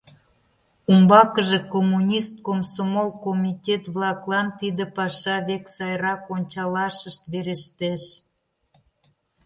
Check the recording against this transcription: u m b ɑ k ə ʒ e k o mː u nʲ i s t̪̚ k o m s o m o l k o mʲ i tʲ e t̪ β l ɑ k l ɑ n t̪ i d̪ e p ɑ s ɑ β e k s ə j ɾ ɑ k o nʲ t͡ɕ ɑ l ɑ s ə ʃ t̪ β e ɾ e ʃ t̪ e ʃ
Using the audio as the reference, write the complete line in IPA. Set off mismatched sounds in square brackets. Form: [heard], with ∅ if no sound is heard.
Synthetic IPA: u m b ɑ k ə ʒ e k o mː u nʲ i s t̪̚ k o m s o m o l k o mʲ i tʲ e t̪ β l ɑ k l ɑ n t̪ i d̪ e p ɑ [ʃ] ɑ β e k s [ɑ] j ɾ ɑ k o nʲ t͡ɕ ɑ l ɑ [ʃ] ə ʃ t̪ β e ɾ e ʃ t̪ e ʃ